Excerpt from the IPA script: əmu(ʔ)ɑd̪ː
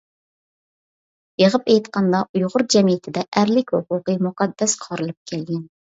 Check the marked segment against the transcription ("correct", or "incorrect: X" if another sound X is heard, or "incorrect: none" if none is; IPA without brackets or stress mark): incorrect: q